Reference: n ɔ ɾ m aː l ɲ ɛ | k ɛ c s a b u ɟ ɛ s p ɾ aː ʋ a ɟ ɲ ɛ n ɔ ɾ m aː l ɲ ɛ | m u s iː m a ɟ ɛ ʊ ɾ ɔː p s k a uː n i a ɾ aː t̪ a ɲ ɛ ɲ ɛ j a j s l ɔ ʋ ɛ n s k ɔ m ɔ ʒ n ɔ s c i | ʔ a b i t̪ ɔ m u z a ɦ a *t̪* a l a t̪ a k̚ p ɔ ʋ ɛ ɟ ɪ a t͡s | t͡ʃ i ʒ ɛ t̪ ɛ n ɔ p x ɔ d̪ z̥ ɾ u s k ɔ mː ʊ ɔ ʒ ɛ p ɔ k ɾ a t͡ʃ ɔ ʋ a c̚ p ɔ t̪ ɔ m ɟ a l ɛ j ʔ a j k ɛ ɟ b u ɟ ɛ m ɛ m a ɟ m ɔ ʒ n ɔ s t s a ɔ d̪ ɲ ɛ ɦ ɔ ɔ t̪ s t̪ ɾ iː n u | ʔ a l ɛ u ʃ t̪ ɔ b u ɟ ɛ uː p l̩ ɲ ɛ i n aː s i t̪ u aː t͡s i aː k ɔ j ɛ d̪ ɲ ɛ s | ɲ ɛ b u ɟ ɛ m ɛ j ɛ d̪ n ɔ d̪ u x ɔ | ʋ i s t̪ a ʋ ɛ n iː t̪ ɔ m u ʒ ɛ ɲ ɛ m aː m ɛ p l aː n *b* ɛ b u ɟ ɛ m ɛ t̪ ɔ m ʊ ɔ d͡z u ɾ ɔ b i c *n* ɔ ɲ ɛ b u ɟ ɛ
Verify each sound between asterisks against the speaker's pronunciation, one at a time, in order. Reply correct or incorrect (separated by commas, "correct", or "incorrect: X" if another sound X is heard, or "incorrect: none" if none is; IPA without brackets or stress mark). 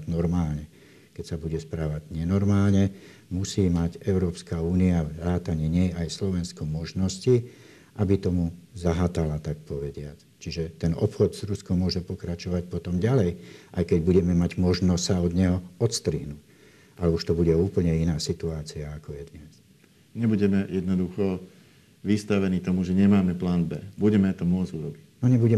correct, correct, correct